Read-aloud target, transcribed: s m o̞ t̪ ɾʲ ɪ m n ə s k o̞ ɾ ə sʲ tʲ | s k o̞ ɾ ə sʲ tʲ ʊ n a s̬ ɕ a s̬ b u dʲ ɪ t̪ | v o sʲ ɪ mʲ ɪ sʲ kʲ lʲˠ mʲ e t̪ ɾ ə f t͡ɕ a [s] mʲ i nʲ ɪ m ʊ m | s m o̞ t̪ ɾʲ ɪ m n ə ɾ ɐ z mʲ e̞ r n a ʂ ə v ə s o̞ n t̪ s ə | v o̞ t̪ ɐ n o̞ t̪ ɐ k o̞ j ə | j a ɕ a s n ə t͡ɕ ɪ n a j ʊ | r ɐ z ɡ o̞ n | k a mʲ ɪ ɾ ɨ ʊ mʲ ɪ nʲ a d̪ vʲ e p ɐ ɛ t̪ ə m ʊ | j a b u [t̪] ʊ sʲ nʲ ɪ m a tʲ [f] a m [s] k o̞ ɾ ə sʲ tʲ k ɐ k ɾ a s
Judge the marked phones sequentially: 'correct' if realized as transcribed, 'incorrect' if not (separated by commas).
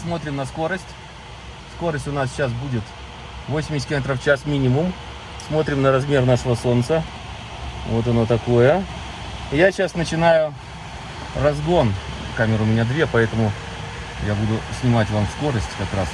correct, incorrect, incorrect, correct